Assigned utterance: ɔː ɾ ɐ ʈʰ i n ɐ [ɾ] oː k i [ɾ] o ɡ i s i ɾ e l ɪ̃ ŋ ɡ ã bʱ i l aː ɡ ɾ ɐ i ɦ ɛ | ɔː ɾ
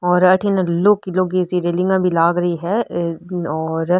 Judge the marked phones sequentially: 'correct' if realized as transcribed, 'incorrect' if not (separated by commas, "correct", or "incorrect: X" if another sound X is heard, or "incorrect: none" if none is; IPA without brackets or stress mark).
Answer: incorrect: l, incorrect: l